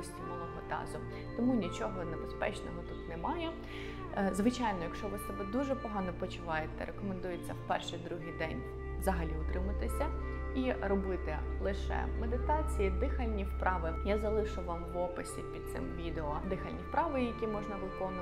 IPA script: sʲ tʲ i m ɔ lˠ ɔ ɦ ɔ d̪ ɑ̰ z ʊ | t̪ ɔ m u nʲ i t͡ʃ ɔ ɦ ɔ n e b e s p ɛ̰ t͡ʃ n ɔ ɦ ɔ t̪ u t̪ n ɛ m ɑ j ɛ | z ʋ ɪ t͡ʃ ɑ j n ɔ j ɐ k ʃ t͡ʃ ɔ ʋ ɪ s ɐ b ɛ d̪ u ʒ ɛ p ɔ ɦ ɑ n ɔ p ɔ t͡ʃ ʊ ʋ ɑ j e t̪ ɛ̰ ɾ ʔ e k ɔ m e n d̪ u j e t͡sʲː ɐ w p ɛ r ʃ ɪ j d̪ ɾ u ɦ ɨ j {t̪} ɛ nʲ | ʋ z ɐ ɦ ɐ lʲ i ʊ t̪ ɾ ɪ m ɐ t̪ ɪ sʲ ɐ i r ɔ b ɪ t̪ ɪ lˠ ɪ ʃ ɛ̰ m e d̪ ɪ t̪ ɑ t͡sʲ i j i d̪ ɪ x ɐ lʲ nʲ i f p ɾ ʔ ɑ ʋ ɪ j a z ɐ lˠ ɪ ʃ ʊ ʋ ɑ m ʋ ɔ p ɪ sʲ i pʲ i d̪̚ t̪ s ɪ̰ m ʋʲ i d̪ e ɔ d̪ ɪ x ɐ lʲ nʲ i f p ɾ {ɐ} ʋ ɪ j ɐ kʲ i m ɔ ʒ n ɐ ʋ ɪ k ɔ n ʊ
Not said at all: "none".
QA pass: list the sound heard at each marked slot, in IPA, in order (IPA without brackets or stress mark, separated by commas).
d̪, ɑ